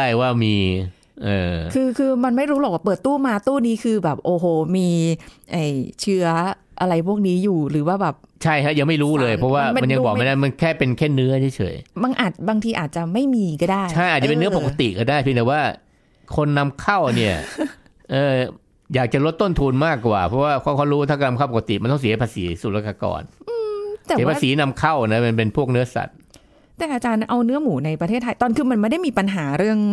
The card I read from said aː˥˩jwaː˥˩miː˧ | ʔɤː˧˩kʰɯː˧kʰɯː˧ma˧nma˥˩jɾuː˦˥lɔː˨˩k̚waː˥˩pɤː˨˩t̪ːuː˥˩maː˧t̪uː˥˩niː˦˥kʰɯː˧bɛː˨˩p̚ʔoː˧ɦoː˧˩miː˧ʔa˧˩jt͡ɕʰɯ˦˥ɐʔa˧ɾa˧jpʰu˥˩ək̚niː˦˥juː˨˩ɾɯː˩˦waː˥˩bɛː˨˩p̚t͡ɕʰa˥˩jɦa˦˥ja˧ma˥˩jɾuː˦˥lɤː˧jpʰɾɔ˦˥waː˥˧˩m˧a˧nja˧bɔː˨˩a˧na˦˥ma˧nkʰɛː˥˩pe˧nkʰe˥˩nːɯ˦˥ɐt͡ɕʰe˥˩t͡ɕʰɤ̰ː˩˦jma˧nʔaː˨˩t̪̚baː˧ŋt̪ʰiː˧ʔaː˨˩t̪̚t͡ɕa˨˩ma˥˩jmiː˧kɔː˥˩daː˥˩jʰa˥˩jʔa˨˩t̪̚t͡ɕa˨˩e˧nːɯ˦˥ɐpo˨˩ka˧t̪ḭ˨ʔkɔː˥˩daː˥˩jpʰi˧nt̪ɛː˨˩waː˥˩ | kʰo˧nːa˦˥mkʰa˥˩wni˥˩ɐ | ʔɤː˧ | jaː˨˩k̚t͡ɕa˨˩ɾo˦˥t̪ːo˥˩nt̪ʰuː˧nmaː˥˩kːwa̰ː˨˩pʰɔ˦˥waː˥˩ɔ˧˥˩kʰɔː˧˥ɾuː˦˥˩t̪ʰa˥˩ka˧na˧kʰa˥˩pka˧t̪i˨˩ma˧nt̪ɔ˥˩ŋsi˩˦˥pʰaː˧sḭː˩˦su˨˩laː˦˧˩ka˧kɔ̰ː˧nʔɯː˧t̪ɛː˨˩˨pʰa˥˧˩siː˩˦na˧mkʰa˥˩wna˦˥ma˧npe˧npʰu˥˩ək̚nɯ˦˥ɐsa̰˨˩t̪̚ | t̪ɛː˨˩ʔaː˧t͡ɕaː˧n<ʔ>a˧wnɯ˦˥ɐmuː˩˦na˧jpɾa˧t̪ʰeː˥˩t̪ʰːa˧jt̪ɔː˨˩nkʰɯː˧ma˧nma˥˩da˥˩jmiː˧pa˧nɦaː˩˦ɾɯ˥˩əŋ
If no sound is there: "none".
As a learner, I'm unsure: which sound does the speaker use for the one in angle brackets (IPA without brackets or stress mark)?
ʔ